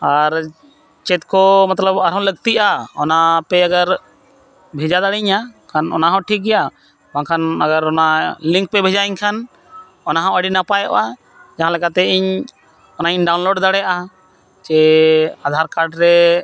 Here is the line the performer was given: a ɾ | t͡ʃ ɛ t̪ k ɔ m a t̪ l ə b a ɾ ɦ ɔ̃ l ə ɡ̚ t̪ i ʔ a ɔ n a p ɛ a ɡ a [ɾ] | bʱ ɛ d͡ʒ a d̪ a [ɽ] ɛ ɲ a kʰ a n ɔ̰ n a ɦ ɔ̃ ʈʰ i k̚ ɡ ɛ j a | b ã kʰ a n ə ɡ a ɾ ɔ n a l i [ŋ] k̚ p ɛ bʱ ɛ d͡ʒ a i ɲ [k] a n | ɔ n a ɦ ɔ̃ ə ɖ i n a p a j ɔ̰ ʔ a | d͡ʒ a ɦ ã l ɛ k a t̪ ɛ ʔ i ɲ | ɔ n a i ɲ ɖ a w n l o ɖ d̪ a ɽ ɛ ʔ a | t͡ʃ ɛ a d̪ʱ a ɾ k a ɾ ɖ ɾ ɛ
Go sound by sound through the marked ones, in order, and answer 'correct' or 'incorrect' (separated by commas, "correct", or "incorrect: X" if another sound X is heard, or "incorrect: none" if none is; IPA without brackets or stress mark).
correct, correct, correct, incorrect: kʰ